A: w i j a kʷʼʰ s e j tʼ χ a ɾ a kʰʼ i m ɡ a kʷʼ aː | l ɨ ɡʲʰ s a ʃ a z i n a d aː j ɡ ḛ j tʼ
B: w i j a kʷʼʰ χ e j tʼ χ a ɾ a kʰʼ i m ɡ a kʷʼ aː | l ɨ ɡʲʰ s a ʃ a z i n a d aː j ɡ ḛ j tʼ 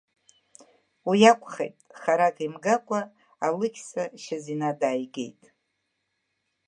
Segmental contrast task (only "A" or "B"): B